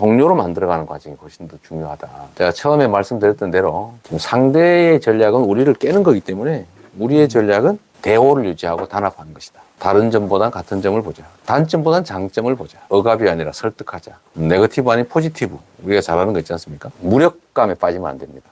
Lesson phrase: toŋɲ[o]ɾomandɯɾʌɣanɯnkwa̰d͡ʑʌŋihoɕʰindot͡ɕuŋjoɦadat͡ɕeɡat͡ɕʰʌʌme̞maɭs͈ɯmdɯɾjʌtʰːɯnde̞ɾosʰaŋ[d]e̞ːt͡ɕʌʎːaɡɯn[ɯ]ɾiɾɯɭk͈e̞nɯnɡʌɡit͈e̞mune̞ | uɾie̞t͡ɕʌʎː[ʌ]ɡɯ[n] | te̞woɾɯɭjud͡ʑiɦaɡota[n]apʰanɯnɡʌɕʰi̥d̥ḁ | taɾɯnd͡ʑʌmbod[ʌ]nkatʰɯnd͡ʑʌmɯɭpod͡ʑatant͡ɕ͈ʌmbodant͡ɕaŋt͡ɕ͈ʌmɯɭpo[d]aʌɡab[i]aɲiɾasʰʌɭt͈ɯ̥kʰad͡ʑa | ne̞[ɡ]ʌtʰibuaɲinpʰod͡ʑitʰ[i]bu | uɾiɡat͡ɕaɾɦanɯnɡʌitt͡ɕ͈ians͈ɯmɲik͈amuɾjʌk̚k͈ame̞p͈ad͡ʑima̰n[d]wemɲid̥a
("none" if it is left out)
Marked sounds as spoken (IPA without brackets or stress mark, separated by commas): o, d, u, a, n, n, a, d͡ʑ, i, ɡ, i, d